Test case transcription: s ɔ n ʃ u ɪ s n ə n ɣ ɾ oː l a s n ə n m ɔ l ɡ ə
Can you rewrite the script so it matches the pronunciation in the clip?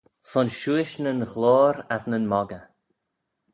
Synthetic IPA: s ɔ n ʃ u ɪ ʃ n ə n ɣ l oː ɾ a s n ə n m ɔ ɡ ə